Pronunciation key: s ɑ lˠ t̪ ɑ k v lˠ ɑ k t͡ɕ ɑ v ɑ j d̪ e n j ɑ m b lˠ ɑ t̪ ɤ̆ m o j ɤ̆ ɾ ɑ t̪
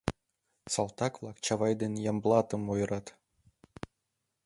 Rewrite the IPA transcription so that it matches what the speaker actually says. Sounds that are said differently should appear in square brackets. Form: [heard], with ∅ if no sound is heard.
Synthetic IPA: s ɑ lˠ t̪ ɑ k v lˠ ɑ k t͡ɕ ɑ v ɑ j d̪ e n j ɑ m b lˠ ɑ t̪ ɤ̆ m o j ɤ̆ ɾ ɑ t̪